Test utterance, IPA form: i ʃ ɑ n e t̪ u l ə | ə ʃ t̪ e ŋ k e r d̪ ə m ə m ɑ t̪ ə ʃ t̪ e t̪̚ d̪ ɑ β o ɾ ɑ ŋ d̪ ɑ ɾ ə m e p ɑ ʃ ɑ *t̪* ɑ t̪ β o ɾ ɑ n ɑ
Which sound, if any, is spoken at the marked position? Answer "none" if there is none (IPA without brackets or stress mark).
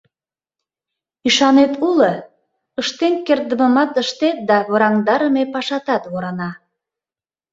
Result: t̪